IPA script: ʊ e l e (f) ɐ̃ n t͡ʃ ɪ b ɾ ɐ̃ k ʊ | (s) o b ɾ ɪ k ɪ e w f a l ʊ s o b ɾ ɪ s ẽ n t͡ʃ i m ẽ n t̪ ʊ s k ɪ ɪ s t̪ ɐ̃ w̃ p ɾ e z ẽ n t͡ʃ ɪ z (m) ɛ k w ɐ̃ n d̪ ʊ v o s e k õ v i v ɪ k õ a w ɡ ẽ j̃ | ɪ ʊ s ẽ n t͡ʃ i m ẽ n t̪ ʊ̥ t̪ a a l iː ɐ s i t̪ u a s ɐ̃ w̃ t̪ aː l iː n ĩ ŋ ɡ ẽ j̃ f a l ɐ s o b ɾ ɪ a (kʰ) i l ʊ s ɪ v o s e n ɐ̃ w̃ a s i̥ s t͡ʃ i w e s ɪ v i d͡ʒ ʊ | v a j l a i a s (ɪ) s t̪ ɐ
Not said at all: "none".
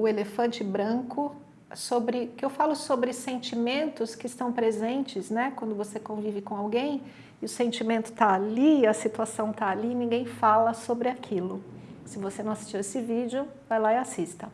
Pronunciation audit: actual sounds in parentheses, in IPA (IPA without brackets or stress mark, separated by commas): f, s, n, kʰ, i